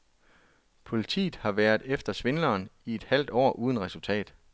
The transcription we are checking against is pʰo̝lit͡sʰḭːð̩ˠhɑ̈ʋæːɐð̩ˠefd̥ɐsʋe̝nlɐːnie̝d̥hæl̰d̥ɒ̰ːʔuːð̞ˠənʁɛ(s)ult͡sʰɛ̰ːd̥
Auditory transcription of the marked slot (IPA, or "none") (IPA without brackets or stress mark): s